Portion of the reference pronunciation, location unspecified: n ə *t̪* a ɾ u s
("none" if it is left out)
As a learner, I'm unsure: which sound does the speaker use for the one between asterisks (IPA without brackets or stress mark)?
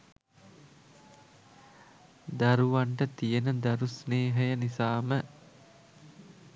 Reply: d̪